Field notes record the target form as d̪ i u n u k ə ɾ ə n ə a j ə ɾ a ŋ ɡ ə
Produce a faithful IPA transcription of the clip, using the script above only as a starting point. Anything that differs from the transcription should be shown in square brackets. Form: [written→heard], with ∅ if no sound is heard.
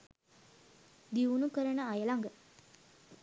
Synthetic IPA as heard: d̪ i u n u k ə ɾ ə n ə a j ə [ɾ→l] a ŋ ɡ ə